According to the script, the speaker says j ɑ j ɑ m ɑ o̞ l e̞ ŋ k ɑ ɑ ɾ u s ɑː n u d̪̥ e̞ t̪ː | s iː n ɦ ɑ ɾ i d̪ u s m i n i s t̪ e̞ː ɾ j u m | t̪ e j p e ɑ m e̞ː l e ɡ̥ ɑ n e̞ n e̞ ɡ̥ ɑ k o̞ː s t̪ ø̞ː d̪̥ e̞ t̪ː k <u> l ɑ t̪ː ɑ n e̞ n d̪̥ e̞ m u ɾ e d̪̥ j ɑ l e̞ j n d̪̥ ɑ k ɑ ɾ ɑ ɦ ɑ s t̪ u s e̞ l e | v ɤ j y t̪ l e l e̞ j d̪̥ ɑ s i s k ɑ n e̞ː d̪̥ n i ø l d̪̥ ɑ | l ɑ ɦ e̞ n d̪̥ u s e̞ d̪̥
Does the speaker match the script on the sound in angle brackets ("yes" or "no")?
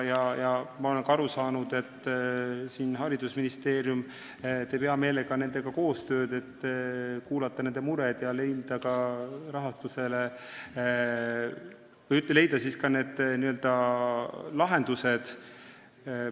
no